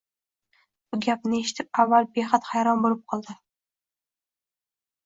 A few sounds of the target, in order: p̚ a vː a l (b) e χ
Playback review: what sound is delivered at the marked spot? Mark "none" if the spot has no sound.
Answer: b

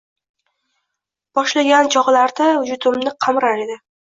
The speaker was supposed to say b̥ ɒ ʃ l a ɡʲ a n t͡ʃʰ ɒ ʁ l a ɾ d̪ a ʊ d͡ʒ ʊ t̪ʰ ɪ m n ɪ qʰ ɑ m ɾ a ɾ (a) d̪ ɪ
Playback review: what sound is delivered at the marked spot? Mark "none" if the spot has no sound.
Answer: e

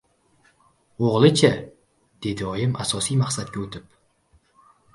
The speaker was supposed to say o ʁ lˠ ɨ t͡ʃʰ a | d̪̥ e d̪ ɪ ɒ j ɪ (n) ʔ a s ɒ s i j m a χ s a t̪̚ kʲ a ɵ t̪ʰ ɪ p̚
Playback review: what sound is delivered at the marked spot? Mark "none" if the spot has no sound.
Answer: m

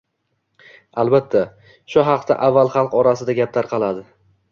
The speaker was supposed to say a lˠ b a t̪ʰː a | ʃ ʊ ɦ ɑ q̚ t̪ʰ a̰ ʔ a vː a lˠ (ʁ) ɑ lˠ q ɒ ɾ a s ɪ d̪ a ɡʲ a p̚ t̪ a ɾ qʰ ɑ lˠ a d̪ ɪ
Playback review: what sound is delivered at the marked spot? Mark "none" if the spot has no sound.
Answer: χ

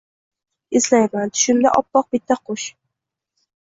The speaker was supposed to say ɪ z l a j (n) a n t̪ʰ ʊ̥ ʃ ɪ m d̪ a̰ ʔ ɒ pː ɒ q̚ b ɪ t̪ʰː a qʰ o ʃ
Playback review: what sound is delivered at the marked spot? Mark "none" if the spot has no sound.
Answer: m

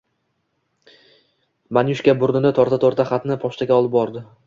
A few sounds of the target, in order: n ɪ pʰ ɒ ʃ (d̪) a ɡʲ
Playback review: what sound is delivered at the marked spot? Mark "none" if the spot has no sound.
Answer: t̪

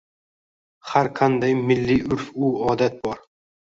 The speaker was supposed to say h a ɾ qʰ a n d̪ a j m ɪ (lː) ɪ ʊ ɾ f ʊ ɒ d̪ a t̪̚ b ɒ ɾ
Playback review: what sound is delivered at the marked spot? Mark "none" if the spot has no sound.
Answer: lː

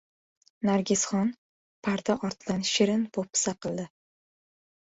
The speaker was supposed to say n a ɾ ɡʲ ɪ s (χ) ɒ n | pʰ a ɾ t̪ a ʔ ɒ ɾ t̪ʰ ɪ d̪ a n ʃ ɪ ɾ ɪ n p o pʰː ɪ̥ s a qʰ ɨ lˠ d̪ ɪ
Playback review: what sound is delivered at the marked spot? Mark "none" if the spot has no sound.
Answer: χ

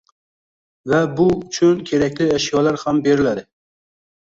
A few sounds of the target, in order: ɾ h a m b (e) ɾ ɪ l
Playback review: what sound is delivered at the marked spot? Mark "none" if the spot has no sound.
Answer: e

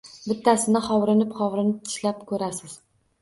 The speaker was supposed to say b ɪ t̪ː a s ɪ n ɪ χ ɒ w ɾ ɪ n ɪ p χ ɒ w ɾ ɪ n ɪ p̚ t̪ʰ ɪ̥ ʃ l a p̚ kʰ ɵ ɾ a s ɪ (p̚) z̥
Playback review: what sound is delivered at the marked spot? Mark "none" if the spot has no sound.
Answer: none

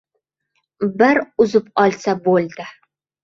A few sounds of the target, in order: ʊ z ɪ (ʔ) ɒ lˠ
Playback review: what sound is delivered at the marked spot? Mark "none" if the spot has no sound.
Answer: p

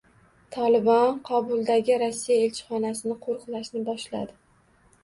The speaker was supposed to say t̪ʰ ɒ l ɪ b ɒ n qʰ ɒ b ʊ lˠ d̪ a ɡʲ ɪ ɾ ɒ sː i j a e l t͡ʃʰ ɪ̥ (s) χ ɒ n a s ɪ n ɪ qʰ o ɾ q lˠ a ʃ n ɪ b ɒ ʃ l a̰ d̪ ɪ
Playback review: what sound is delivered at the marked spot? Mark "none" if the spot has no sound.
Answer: none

